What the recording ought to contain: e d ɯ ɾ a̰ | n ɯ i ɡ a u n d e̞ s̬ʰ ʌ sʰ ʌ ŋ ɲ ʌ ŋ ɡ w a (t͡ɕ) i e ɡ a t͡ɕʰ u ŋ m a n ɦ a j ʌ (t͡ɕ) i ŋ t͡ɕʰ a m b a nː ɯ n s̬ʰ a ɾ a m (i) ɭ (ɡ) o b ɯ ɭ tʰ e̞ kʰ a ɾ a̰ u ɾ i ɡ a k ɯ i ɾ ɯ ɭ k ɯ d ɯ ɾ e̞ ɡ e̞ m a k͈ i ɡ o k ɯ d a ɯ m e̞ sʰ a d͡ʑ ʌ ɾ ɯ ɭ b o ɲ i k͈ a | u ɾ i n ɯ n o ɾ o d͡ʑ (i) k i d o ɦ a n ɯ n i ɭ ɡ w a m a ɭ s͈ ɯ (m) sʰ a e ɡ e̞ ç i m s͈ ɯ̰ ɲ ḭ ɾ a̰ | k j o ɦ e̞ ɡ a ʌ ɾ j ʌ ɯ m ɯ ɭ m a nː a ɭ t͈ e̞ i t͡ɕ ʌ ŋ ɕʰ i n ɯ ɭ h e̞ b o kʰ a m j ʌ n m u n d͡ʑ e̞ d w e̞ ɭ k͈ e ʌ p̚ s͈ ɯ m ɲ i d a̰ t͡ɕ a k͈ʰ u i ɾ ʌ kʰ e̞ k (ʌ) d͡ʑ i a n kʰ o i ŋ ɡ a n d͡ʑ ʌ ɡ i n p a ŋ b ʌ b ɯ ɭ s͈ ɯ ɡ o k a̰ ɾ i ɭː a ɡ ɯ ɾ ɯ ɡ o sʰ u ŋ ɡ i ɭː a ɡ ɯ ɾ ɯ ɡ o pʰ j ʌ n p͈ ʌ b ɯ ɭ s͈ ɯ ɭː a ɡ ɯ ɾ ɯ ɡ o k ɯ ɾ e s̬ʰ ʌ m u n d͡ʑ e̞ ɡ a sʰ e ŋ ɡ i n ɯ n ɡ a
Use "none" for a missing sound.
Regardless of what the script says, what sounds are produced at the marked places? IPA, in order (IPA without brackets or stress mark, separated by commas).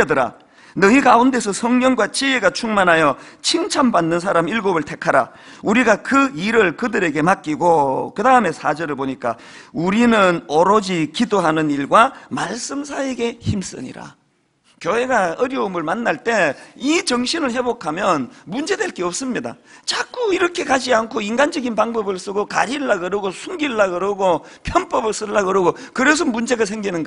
t͡ɕ, t͡ɕʰ, i, ɡ, i, m, a